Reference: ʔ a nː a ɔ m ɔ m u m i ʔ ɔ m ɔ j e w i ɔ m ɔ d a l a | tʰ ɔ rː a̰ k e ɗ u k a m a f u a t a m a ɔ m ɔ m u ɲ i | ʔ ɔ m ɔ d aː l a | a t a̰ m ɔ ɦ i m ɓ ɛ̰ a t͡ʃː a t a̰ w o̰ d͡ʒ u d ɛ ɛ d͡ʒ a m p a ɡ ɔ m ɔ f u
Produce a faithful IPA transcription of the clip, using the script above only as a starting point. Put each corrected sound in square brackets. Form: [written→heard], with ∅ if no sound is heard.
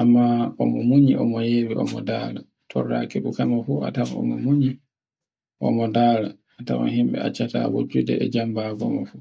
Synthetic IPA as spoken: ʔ a [nː→mː] a ɔ m ɔ m u [m→ɲ] i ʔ ɔ m ɔ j e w i ɔ m ɔ d a l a | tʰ ɔ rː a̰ k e ɗ u k a m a f u a t a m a ɔ m ɔ m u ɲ i | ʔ ɔ m ɔ d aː l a | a t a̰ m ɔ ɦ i m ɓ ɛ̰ a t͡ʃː a t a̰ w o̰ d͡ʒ u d ɛ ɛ d͡ʒ a m [p→b] a ɡ ɔ m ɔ f u